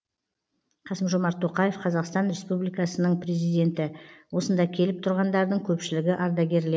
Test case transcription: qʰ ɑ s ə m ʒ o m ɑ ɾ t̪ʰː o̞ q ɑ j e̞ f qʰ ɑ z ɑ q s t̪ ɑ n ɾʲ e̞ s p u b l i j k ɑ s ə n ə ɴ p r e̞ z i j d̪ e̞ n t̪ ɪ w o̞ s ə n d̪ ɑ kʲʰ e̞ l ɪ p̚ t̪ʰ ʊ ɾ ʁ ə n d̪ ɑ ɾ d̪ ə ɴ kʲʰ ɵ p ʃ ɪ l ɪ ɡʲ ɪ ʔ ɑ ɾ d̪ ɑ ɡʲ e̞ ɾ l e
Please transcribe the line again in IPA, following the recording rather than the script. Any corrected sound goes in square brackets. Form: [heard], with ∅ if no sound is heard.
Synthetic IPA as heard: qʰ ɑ s ə m ʒ o m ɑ ɾ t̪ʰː o̞ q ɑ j e̞ f qʰ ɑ z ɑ q s t̪ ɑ n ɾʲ e̞ s p u b l i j k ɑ s ə n ə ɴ p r e̞ z i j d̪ e̞ n t̪ ɪ w o̞ s ə n d̪ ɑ kʲʰ e̞ l ɪ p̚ t̪ʰ ʊ ɾ ʁ [ɑ] n d̪ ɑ ɾ d̪ ə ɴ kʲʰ ɵ p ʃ ɪ l ɪ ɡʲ ɪ ʔ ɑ ɾ d̪ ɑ ɡʲ e̞ ɾ l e

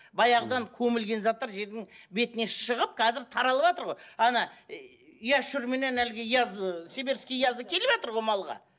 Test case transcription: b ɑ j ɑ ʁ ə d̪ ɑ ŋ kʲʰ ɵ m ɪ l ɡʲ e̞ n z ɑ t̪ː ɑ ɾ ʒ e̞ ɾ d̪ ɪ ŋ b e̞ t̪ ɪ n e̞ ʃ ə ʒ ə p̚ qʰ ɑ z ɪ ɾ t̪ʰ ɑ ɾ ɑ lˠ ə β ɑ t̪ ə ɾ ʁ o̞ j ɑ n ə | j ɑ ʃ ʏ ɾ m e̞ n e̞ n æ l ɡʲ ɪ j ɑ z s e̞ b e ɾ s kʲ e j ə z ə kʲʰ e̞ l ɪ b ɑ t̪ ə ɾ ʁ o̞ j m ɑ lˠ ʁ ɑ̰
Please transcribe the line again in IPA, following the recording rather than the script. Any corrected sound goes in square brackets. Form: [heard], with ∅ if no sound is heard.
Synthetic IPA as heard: b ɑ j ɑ ʁ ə d̪ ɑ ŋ kʲʰ ɵ m ɪ l ɡʲ e̞ n z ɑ t̪ː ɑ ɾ ʒ e̞ ɾ d̪ ɪ ŋ b e̞ t̪ ɪ n e̞ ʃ ə [ʁ] ə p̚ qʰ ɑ z ɪ ɾ t̪ʰ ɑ ɾ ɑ lˠ ə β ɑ t̪ ə ɾ ʁ o̞ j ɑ n [ɑ] | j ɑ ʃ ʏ ɾ m e̞ n e̞ n æ l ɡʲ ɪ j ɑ z s e̞ b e ɾ s kʲ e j [ɑ] z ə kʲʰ e̞ l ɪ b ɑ t̪ ə ɾ ʁ o̞ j m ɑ lˠ ʁ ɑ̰

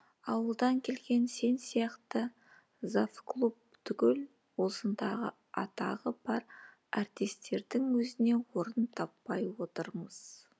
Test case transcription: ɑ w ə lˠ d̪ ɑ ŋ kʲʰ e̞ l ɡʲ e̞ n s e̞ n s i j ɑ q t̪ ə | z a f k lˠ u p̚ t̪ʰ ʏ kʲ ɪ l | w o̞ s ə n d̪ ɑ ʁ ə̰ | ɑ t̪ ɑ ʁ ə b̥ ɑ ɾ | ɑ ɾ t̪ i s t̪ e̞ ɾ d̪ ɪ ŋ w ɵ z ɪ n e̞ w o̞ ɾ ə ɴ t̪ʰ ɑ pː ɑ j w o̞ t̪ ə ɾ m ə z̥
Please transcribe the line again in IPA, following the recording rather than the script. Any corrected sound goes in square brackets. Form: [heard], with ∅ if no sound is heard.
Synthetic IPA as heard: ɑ w ə lˠ d̪ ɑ ŋ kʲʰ e̞ l ɡʲ e̞ n s e̞ n s i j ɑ q t̪ ə | z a f k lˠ u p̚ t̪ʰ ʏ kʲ ɪ l | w o̞ s ə n d̪ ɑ ʁ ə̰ | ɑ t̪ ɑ ʁ ə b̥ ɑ ɾ | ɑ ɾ t̪ i s t̪ e̞ ɾ d̪ ɪ ŋ w ɵ z ɪ n e̞ w o̞ ɾ ə [n] t̪ʰ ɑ pː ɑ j w o̞ t̪ ə ɾ m ə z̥

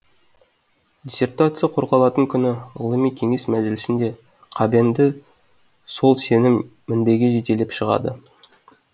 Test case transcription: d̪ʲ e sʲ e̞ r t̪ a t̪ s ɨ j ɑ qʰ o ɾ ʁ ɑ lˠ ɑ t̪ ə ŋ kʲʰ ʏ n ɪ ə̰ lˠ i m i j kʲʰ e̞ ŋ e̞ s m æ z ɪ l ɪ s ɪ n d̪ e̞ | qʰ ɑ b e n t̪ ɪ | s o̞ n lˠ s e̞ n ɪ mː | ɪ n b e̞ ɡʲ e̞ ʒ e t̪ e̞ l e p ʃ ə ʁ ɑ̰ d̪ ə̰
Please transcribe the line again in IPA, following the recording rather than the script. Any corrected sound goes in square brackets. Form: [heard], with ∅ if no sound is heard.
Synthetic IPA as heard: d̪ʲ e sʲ e̞ r t̪ a t̪ s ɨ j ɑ qʰ o ɾ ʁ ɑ lˠ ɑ t̪ ə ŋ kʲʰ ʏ n ɪ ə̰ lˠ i m i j kʲʰ e̞ ŋ e̞ s m æ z ɪ l ɪ s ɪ n d̪ e̞ | qʰ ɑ b e n [d̪] ɪ | s o̞ [∅] lˠ s e̞ n ɪ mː | ɪ n b e̞ ɡʲ e̞ ʒ e t̪ e̞ l e p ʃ ə ʁ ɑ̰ d̪ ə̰

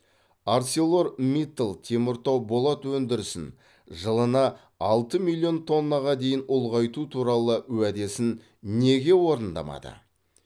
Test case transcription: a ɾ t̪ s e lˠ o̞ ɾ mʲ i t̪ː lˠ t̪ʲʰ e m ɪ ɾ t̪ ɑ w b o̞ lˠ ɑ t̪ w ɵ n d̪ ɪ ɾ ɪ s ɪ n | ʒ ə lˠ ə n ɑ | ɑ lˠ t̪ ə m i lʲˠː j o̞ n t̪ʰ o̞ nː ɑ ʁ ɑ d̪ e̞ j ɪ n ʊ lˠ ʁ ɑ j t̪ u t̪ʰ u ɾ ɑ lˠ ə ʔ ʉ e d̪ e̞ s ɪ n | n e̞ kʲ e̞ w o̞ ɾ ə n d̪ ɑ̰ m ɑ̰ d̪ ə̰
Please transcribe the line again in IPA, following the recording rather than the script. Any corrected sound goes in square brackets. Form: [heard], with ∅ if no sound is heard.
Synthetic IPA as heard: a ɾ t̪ s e lˠ o̞ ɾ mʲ i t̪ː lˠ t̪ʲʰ e m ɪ ɾ t̪ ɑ w b o̞ lˠ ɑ t̪ w ɵ n d̪ ɪ ɾ ɪ s ɪ n | ʒ ə lˠ ə n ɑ | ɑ lˠ t̪ ə m i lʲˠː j o̞ n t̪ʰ o̞ nː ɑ ʁ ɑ d̪ e̞ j ɪ n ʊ lˠ ʁ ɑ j t̪ u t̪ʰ u ɾ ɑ lˠ ə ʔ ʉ [æ] d̪ e̞ s ɪ n | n e̞ [ɡʲ] e̞ w o̞ ɾ ə n d̪ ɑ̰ m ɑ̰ d̪ ə̰

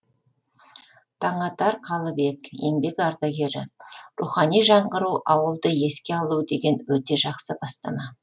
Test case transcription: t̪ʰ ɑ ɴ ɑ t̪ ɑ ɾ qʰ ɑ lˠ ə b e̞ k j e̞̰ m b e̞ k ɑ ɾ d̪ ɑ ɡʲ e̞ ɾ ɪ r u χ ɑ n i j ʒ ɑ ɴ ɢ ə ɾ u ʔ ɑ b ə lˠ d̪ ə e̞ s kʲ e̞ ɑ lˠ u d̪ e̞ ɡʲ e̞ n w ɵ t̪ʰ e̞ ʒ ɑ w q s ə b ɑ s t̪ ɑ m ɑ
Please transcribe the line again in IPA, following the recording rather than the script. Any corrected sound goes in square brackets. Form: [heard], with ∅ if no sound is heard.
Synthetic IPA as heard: t̪ʰ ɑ ɴ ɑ t̪ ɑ ɾ qʰ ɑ lˠ ə b e̞ k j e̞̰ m b e̞ k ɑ ɾ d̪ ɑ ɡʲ e̞ ɾ ɪ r u χ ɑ n i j ʒ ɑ ɴ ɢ ə ɾ u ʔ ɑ [w] ə lˠ d̪ ə e̞ s kʲ e̞ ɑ lˠ u d̪ e̞ ɡʲ e̞ n w ɵ [t̪] e̞ ʒ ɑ [∅] q s ə b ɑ s t̪ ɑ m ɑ

